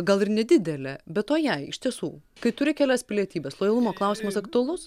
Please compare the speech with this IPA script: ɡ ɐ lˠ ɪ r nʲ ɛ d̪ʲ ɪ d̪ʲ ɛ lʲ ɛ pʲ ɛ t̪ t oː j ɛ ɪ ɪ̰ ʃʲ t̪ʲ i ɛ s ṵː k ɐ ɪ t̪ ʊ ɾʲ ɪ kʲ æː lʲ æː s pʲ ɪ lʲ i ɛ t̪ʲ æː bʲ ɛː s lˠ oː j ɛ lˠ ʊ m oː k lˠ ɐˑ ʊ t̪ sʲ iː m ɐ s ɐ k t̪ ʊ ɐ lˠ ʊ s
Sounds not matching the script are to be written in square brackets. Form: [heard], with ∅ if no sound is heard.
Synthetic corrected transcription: ɡ ɐ lˠ ɪ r nʲ ɛ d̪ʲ ɪ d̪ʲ ɛ lʲ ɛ [bʲ] ɛ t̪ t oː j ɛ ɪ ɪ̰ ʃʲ t̪ʲ i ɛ s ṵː k ɐ ɪ t̪ ʊ ɾʲ ɪ kʲ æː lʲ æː s pʲ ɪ lʲ i ɛ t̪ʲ [iː] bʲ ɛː s lˠ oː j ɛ lˠ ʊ m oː k lˠ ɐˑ ʊ [∅] sʲ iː m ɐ s ɐ k t̪ ʊ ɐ lˠ ʊ s